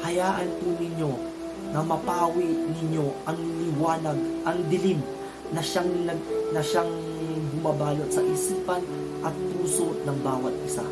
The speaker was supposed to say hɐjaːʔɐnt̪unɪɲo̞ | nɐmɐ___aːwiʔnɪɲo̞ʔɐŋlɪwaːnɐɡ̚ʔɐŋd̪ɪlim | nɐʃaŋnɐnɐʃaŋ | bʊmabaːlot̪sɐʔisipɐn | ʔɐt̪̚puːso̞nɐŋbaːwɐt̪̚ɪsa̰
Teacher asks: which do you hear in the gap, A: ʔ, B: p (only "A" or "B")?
B